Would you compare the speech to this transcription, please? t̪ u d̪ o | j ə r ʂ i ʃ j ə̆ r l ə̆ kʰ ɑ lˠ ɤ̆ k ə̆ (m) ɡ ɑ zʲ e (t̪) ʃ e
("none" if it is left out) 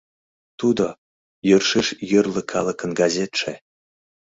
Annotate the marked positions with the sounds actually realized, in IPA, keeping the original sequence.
n, t̪

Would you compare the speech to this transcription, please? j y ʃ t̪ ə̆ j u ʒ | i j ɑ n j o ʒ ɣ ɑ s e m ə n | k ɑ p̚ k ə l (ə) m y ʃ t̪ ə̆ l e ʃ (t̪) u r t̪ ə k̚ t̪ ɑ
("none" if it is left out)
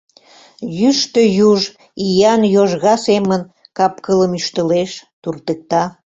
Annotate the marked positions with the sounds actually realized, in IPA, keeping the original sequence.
ə, t̪

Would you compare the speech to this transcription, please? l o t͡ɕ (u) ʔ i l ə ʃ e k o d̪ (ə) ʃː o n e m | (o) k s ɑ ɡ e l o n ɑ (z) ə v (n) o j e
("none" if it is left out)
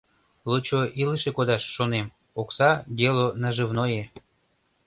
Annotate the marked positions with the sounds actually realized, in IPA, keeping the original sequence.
o, ɑ, o, ʒ, n

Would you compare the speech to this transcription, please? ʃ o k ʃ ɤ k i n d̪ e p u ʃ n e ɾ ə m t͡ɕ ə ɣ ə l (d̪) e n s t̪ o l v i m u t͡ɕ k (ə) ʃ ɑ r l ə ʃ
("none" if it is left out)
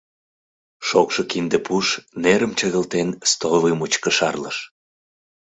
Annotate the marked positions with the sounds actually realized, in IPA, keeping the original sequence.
t̪, ə

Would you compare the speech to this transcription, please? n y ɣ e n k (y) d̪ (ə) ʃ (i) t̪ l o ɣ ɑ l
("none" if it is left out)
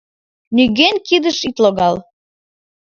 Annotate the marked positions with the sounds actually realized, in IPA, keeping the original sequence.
i, ə, i

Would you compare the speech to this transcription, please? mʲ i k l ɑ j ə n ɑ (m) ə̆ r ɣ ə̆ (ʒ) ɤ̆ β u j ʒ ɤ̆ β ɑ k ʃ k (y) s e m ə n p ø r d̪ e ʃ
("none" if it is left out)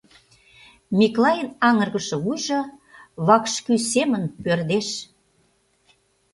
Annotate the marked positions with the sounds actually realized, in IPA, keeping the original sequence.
ŋ, ʃ, y

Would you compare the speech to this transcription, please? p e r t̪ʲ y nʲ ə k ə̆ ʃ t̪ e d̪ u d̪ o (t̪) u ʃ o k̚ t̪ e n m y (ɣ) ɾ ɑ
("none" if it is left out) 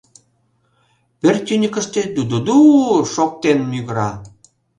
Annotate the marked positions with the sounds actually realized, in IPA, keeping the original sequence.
d̪, ɣ

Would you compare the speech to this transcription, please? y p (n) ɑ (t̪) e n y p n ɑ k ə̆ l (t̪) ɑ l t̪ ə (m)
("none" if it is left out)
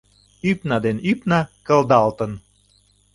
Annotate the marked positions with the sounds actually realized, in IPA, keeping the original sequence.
n, d̪, d̪, n

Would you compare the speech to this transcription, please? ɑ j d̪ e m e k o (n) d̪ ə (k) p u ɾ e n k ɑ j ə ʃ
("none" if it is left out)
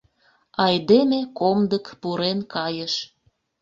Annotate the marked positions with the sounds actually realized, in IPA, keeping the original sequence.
m, k

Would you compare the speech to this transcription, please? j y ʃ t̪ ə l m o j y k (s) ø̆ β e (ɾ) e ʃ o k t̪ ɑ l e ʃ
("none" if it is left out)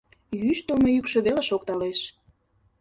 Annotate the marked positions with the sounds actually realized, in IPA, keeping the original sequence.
ʃ, l

